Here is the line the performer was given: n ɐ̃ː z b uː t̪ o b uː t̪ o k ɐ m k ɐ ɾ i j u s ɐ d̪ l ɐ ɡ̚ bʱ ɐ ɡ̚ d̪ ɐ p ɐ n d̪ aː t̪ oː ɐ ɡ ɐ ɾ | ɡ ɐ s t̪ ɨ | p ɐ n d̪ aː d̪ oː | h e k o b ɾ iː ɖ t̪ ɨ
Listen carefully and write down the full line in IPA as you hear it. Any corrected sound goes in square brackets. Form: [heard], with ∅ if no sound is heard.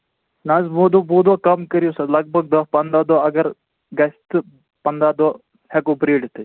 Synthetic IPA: n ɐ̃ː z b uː [d̪] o b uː [d̪] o k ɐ m k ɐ ɾ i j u s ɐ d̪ l ɐ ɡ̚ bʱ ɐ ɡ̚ d̪ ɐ p ɐ n d̪ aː [d̪] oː ɐ ɡ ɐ ɾ | ɡ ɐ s t̪ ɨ | p ɐ n d̪ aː d̪ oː | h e k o b ɾ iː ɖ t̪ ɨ